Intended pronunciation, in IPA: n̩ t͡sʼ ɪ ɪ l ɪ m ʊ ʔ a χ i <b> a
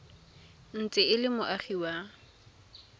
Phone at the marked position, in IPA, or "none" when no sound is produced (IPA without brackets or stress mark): w